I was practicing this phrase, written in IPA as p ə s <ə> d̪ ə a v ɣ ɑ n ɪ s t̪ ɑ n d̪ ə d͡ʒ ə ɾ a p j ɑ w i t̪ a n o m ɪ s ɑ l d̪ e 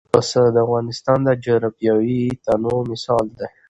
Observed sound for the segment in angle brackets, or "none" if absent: ə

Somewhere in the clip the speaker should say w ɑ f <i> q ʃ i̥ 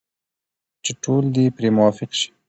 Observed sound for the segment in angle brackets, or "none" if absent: ɪ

